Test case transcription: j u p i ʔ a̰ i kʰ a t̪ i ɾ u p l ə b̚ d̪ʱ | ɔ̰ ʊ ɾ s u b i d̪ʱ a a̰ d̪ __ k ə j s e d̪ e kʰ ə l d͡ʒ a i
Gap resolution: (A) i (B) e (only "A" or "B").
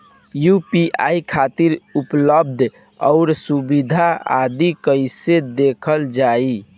A